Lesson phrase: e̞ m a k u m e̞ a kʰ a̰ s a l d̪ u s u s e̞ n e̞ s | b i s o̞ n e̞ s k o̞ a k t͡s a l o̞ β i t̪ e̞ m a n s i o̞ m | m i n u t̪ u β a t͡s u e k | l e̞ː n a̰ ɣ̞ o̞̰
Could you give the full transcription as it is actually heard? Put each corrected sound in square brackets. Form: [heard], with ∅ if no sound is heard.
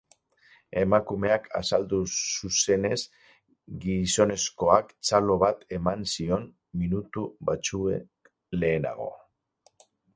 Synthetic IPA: e̞ m a k u m e̞ a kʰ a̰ s a l d̪ u s u s e̞ n e̞ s | [ɡ] i s o̞ n e̞ s k o̞ a k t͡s a l o̞ β [a] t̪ e̞ m a n s i o̞ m | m i n u t̪ u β a t͡s u e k | l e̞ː n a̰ ɣ̞ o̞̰